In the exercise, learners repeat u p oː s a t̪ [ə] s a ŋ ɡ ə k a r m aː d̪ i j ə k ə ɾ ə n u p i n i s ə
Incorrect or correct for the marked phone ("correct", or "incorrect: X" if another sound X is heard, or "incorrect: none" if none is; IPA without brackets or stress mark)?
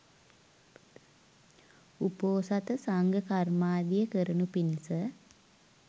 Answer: correct